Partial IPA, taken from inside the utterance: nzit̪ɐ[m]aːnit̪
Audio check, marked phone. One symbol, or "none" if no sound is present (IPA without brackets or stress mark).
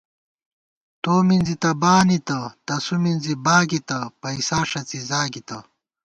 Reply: b